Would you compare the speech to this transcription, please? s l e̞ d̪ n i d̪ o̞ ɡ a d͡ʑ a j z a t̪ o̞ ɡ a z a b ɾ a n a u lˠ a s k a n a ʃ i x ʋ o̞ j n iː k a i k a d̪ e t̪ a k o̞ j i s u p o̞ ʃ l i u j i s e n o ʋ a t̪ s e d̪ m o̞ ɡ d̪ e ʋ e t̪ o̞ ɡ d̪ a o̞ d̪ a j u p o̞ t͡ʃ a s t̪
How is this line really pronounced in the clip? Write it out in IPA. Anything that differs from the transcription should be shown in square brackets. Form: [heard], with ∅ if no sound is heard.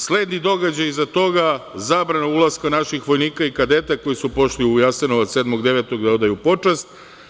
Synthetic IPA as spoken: s l e̞ d̪ n i d̪ o̞ ɡ a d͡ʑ a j z a t̪ o̞ ɡ a z a b ɾ a n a u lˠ a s k a n a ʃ i x ʋ o̞ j n iː k a i k a d̪ e t̪ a k o̞ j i s u p o̞ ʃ l i u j [a] s e n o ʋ a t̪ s e d̪ m o̞ ɡ d̪ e ʋ e t̪ o̞ ɡ d̪ a o̞ d̪ a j u p o̞ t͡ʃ a s t̪

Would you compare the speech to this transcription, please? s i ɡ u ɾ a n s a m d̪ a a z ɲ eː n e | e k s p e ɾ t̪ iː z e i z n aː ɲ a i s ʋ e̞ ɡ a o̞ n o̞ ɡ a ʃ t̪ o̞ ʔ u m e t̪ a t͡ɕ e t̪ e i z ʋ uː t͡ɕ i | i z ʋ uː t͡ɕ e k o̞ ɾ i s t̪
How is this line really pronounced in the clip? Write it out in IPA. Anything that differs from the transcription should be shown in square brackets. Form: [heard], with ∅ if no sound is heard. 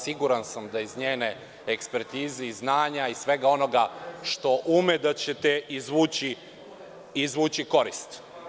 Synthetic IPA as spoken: s i ɡ u ɾ a n s a m d̪ a [i] z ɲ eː n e | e k s p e ɾ t̪ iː z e i z n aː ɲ a i s ʋ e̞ ɡ a o̞ n o̞ ɡ a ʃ t̪ o̞ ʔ u m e [d̪] a t͡ɕ e t̪ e i z ʋ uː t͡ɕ i | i z ʋ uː t͡ɕ [i] k o̞ ɾ i s t̪

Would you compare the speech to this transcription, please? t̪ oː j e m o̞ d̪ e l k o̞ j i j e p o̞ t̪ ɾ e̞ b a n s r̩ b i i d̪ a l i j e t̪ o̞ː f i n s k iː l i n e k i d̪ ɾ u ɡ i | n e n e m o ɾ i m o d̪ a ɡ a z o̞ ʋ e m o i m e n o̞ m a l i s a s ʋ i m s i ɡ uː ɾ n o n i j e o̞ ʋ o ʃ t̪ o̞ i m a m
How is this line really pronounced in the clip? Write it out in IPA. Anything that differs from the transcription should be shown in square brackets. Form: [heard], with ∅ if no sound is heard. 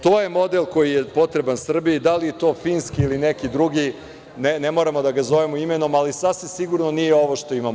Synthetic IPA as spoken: t̪ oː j e m o̞ d̪ e l k o̞ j i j e p o̞ t̪ ɾ e̞ b a n s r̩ b i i d̪ a l i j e t̪ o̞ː f i n s k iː l i n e k i d̪ ɾ u ɡ i | n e n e m o ɾ [a] m o d̪ a ɡ a z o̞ ʋ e m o i m e n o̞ m a l i s a s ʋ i m s i ɡ [u] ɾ n o n i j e o̞ ʋ o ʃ t̪ o̞ i m a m

